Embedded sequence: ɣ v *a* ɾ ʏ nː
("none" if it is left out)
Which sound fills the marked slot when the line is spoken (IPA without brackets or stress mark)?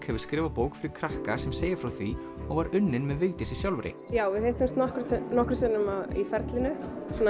a